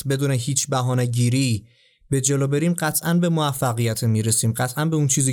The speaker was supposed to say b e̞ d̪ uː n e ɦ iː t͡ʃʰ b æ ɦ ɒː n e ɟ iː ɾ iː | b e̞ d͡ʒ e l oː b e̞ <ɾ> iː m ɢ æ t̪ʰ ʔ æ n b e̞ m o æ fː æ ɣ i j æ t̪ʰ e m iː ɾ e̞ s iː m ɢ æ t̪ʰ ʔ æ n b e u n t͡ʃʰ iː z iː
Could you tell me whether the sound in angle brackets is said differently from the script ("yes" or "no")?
no